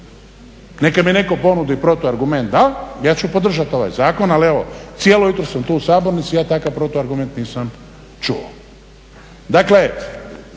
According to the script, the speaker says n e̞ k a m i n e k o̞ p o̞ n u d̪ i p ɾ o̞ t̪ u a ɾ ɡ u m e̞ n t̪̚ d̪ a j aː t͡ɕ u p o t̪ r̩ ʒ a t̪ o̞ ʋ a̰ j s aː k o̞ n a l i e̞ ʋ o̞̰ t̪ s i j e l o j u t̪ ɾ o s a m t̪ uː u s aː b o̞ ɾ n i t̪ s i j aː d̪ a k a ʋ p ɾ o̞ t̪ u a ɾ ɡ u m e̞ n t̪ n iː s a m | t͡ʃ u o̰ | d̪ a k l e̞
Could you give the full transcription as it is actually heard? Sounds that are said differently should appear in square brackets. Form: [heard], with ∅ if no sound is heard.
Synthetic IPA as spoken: n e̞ k a m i n e k o̞ p o̞ n u d̪ i p ɾ o̞ t̪ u a ɾ ɡ u m e̞ n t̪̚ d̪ a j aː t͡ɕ u p o [d̪] r̩ ʒ a t̪ o̞ ʋ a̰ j [z] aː k o̞ n a l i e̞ ʋ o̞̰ t̪ s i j e l o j u t̪ ɾ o s a m t̪ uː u s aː b o̞ ɾ n i t̪ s i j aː [t̪] a k a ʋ p ɾ o̞ t̪ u a ɾ ɡ u m e̞ n t̪ n iː s a m | t͡ʃ u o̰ | d̪ a k l e̞

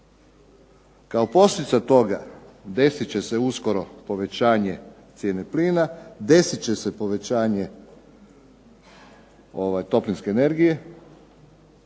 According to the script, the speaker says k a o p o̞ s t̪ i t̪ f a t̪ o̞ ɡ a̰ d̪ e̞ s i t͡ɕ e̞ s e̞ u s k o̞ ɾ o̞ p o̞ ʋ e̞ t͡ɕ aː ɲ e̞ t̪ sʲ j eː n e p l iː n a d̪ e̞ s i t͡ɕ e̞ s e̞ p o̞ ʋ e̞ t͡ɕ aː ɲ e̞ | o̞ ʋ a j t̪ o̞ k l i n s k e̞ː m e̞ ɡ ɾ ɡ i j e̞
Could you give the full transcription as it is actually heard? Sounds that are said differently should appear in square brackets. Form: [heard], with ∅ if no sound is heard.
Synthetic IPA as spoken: k a o p o̞ s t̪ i t̪ [s] a t̪ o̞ ɡ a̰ d̪ e̞ s i t͡ɕ e̞ s e̞ u s k o̞ ɾ o̞ p o̞ ʋ e̞ t͡ɕ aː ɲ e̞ t̪ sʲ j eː n e p l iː n a d̪ e̞ s i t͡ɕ e̞ s e̞ p o̞ ʋ e̞ t͡ɕ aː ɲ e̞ | o̞ ʋ a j t̪ o̞ [p] l i n s k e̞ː [n] e̞ [∅] ɾ ɡ i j e̞

